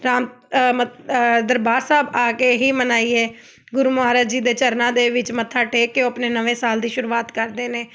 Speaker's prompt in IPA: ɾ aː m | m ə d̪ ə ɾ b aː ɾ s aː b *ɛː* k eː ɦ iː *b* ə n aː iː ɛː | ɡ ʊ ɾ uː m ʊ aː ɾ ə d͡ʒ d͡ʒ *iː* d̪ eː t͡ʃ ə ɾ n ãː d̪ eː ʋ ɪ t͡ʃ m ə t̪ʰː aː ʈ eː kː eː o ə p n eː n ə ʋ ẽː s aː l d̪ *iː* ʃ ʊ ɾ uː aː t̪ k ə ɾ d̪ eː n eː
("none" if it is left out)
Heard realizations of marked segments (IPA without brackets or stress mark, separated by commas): aː, m, iː, iː